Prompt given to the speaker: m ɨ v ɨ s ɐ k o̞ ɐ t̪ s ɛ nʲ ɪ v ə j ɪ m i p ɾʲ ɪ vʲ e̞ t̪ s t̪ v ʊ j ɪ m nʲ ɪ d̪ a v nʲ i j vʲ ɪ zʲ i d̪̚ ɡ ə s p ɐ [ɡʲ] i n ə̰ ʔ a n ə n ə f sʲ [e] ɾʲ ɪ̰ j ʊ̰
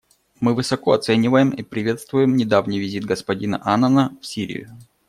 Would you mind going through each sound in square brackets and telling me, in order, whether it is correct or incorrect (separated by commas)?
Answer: incorrect, incorrect